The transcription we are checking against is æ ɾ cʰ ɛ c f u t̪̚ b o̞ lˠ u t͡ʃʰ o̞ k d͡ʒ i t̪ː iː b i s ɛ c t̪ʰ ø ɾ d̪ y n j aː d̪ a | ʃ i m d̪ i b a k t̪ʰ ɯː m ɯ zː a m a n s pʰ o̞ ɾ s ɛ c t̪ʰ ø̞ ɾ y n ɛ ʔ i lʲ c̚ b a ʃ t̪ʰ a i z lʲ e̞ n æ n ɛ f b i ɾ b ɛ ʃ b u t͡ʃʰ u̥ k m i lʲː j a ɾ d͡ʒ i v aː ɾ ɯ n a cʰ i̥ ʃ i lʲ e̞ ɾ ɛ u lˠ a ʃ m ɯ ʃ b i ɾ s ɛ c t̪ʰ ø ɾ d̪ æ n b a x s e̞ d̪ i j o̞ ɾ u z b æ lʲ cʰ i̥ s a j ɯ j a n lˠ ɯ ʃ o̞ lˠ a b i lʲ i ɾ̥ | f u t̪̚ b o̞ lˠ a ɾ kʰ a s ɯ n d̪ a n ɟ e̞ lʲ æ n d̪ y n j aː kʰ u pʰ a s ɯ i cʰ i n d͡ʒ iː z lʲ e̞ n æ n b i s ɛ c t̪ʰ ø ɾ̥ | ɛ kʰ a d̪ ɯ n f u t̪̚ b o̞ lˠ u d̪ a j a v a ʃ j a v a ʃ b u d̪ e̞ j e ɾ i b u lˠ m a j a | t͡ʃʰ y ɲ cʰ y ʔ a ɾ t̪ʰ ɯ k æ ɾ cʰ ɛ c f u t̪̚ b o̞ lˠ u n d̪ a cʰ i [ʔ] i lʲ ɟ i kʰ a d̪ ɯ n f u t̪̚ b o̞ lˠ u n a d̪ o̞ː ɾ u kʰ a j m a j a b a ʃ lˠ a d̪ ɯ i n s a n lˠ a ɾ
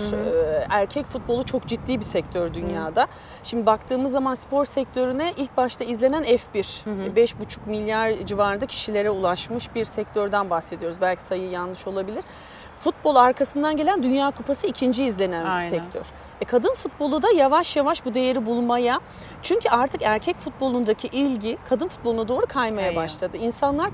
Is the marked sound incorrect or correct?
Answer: correct